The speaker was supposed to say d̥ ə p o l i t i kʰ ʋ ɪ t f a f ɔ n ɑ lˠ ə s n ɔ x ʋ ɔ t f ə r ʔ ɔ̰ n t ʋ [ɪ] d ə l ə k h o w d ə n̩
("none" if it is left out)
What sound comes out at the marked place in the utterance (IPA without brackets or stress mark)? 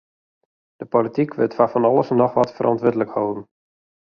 ɪ